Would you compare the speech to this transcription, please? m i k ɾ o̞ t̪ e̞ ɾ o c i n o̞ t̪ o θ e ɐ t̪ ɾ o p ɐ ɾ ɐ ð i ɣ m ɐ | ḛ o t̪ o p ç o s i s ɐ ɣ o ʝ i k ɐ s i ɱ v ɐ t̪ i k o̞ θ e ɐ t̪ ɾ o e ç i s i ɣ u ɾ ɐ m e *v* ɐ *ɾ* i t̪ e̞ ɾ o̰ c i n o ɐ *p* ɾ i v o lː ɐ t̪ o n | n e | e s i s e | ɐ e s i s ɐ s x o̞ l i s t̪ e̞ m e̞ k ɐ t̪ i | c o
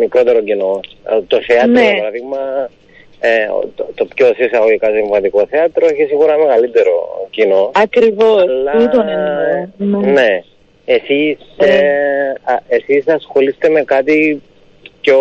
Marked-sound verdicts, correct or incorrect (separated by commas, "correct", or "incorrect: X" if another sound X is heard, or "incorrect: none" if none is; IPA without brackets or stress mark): incorrect: ɣ, incorrect: l, incorrect: k